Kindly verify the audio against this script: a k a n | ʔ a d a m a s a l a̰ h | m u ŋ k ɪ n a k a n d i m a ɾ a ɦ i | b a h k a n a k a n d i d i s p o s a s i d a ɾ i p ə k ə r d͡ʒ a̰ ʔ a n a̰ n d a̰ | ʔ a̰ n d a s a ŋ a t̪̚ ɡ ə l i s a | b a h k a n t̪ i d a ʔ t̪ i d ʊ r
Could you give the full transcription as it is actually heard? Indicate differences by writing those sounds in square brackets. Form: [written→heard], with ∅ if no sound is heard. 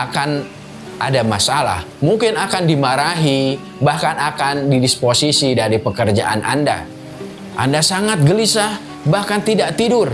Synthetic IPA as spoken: a k a n | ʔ a d a m a s a l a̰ h | m u ŋ k ɪ n a k a n d i m a ɾ a ɦ i | b a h k a n a k a n d i d i s p o s [a→i] s i d a ɾ i p ə k ə r d͡ʒ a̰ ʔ a n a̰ n d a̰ | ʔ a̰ n d a s a ŋ a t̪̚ ɡ ə l i s a | b a h k a n t̪ i d a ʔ t̪ i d ʊ r